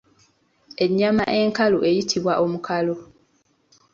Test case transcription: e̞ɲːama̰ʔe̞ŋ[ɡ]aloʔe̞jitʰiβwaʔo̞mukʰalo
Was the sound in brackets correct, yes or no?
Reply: no